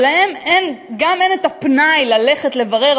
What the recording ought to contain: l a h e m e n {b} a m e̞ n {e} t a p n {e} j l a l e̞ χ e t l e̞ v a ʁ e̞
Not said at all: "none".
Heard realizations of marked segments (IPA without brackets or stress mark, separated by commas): ɡ, e, a